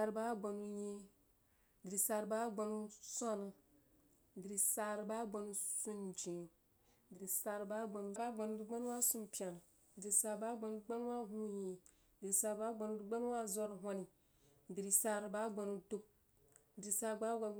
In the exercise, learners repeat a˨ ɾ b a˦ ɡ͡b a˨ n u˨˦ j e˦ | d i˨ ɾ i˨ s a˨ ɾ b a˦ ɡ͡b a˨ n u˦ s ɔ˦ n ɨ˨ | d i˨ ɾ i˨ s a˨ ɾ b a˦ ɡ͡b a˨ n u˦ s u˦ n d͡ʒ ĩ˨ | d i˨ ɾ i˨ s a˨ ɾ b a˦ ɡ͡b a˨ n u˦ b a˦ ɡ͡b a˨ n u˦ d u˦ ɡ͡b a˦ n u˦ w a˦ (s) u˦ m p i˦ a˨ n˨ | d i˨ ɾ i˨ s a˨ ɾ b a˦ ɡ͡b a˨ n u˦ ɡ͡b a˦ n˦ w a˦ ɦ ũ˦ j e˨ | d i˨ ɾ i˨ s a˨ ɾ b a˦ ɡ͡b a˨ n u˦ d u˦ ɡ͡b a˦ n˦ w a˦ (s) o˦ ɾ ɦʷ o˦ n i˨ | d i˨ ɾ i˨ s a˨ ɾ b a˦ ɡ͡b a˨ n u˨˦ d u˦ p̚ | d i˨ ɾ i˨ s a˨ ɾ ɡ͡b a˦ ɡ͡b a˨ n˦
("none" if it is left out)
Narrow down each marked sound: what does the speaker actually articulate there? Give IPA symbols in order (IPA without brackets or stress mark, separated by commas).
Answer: s, z